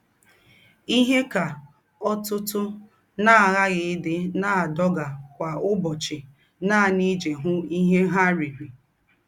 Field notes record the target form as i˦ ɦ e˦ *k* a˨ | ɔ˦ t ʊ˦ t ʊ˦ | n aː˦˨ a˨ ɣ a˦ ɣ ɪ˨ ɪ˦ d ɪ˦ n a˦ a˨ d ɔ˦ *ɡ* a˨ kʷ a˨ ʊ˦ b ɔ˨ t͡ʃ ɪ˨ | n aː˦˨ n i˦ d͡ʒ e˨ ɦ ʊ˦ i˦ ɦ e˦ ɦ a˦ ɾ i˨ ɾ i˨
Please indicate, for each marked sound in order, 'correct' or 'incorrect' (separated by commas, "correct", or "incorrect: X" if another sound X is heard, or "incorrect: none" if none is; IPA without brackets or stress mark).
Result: correct, correct